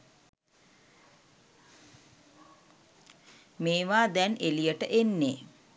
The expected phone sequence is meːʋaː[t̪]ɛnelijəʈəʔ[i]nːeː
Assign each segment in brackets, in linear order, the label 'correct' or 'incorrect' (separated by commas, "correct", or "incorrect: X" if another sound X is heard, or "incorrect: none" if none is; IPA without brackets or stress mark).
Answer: incorrect: d̪, incorrect: e